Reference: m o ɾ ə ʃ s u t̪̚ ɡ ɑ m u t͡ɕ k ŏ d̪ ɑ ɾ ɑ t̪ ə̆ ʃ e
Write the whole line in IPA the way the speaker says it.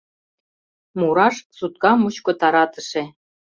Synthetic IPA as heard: m u ɾ ɑ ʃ s u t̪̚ k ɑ m u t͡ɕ k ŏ t̪ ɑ ɾ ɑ t̪ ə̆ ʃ e